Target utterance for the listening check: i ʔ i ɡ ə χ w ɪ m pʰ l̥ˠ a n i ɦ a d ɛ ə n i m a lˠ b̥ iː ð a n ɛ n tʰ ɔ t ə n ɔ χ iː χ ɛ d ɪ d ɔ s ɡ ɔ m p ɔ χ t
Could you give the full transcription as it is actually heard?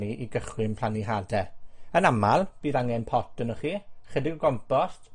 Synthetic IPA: i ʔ i ɡ ə χ w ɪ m pʰ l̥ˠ a n i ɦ a d ɛ ə n a m a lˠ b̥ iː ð a ŋ ɛ n pʰ ɔ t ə n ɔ χ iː χ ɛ d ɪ ɡ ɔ ɡ ɔ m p ɔ s t